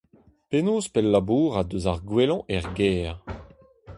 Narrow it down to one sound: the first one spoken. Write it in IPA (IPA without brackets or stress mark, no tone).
p